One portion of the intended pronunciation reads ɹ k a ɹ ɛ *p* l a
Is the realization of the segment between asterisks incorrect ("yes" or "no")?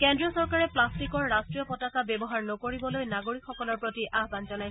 no